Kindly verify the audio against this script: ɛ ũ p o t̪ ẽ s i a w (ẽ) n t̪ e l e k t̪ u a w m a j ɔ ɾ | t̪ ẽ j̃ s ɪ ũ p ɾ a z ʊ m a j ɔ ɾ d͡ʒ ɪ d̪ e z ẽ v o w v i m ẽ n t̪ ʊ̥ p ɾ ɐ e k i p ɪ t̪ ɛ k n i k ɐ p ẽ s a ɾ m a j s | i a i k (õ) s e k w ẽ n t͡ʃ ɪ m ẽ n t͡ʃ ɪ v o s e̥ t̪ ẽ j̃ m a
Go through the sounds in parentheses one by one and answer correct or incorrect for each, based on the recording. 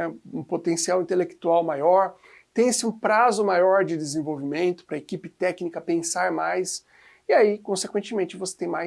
incorrect, correct

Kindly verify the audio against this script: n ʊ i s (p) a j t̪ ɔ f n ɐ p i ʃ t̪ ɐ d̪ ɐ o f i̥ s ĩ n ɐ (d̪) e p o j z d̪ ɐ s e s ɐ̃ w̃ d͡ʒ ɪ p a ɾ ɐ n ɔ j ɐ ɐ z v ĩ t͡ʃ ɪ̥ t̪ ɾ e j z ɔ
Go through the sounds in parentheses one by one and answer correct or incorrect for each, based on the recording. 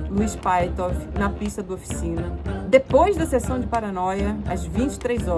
correct, correct

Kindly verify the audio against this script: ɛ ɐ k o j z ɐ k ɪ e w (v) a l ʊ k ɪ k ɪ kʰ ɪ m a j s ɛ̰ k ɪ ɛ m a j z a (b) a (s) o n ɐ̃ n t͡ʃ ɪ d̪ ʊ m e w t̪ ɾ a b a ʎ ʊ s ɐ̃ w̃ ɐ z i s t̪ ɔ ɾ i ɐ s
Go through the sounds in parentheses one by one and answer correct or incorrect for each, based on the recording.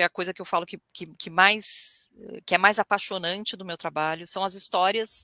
incorrect, incorrect, incorrect

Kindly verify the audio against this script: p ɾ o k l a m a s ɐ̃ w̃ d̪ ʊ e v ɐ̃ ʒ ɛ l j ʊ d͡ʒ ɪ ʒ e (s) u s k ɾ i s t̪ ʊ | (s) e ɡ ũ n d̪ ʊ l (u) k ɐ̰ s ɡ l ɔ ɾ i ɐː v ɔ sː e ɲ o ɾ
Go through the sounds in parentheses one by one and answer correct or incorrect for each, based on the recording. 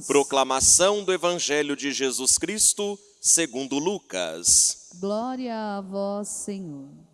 incorrect, correct, correct

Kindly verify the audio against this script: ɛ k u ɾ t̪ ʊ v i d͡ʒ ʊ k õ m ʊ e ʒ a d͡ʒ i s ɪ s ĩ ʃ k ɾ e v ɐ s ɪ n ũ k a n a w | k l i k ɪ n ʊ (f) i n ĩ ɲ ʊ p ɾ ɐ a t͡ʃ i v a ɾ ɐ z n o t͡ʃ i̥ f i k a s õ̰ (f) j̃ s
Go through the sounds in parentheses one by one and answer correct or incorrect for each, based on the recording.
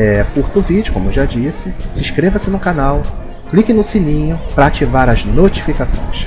incorrect, incorrect

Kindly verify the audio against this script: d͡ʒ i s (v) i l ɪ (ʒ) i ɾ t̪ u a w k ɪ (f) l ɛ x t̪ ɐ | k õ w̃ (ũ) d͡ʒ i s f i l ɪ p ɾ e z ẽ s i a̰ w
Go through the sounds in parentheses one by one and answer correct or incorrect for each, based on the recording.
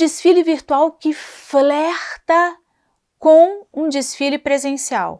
incorrect, incorrect, correct, correct

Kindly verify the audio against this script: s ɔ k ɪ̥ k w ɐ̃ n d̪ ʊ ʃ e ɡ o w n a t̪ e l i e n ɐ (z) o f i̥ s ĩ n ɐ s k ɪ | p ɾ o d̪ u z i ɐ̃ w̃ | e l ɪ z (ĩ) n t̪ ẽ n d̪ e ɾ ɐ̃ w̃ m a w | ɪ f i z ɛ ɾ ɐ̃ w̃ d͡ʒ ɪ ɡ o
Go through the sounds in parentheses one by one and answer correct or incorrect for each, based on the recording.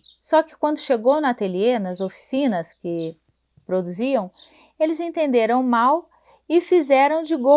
correct, incorrect

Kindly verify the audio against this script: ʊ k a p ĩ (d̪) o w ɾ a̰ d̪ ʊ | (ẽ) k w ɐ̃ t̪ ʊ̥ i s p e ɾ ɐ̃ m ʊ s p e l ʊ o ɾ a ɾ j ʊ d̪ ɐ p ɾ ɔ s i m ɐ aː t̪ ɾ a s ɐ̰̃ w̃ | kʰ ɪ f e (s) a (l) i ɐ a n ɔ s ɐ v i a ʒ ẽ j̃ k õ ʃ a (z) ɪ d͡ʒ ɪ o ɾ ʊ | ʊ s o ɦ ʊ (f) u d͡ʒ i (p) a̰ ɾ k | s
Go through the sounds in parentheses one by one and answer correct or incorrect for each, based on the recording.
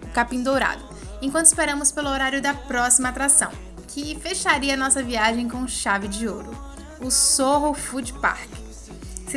correct, correct, incorrect, incorrect, incorrect, correct, correct

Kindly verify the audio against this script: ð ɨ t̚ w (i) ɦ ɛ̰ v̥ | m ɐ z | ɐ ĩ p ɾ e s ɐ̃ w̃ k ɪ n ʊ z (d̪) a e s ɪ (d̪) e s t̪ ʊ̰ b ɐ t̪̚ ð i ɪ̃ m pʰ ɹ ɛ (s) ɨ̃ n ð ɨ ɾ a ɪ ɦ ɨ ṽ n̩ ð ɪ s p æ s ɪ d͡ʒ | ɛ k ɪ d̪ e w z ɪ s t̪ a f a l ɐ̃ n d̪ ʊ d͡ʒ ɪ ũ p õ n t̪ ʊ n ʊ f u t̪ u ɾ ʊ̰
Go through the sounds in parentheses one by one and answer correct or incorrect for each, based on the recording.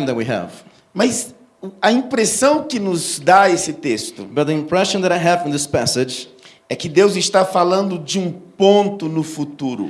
correct, correct, incorrect, incorrect

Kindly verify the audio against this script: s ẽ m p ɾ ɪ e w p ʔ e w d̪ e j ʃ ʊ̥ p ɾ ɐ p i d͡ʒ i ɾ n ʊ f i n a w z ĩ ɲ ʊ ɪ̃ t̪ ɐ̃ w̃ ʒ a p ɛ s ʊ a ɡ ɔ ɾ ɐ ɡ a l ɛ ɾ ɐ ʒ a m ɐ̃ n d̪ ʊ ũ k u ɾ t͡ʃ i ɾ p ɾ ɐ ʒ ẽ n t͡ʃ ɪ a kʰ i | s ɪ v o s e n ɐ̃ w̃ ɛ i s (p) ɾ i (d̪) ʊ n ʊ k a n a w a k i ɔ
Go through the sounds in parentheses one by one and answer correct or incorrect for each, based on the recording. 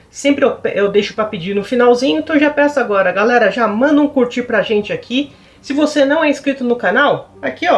incorrect, incorrect

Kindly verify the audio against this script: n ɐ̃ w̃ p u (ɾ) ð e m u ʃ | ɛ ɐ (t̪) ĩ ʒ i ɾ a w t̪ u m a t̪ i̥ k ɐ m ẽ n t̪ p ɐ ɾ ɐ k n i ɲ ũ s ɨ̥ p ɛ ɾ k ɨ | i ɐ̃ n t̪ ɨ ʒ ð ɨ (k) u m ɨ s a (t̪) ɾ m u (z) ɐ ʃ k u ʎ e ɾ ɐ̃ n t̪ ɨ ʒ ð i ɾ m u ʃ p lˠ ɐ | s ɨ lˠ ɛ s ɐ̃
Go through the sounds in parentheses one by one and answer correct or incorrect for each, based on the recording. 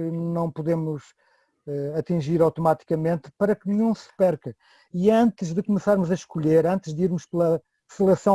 incorrect, correct, correct, incorrect, correct

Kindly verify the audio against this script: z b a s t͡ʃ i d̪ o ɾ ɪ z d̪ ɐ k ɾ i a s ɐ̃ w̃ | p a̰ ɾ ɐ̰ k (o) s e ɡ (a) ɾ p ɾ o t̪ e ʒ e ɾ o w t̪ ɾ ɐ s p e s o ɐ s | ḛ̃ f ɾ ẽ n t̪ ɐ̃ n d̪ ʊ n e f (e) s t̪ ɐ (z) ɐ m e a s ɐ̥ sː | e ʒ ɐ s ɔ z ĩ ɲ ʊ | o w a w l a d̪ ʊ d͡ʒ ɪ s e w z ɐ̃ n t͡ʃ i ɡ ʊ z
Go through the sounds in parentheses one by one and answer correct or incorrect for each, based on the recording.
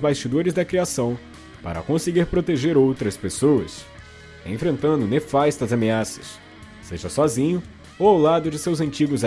incorrect, incorrect, incorrect, correct

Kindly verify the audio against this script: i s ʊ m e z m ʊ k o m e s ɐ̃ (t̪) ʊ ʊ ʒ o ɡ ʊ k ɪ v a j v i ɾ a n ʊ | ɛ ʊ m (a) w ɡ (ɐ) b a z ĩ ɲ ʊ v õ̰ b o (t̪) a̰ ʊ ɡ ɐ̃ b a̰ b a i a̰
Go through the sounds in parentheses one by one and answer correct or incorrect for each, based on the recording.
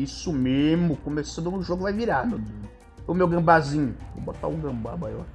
incorrect, incorrect, incorrect, correct

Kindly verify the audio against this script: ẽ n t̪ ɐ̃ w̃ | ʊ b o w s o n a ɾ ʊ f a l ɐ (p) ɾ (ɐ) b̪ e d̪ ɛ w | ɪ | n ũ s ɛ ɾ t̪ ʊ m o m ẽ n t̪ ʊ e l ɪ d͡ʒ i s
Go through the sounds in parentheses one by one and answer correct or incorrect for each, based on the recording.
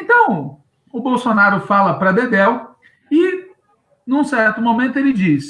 correct, correct

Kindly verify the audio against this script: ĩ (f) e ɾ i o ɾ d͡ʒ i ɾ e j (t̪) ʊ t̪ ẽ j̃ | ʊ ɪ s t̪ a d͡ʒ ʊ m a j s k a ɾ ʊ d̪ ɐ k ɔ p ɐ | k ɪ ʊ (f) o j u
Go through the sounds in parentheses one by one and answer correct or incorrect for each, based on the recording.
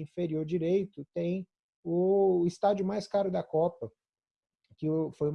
correct, correct, correct

